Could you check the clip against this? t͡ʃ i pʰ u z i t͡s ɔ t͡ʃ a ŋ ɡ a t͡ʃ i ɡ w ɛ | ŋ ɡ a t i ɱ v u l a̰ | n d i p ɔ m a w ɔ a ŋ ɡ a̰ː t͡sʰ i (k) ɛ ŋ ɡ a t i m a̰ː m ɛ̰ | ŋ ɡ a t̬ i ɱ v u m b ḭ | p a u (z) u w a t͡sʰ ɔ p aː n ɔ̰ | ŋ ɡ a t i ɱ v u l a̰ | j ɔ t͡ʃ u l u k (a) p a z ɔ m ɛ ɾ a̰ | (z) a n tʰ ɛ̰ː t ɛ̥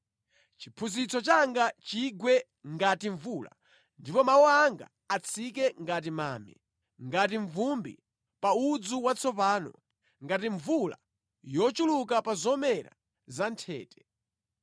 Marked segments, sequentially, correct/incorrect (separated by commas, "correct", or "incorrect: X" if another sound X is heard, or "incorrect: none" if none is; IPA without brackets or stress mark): correct, incorrect: d͡z, correct, correct